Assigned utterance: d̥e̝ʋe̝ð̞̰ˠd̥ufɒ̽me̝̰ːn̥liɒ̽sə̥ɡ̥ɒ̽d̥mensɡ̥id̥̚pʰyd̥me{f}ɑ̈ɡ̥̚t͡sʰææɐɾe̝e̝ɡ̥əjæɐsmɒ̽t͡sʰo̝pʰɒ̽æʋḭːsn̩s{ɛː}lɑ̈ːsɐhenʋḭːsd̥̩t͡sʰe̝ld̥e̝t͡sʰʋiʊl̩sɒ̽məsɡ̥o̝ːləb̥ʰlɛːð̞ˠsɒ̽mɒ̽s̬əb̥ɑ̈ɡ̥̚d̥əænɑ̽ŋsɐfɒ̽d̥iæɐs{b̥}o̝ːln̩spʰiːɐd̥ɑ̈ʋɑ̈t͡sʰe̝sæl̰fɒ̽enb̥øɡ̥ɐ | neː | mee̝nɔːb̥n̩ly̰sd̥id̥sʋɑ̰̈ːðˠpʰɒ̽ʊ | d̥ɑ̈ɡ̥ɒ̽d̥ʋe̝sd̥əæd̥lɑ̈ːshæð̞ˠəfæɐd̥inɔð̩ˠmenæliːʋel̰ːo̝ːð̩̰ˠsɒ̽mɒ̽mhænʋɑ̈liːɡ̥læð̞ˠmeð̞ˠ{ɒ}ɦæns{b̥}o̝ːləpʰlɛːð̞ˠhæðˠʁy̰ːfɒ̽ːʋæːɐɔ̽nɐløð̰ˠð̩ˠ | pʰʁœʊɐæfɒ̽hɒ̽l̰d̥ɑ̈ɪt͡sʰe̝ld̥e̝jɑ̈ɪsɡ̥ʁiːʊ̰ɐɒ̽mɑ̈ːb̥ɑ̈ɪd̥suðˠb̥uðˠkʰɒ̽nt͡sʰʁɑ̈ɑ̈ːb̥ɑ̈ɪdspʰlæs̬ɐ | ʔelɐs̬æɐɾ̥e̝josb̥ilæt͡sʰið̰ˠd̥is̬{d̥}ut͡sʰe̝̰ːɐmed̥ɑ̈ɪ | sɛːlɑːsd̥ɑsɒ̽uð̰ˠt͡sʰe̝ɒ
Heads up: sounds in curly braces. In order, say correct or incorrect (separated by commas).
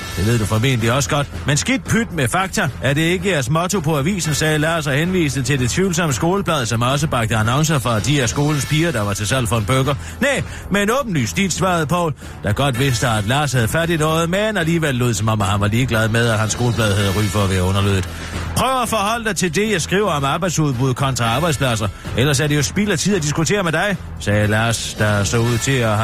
correct, correct, incorrect, correct, incorrect, incorrect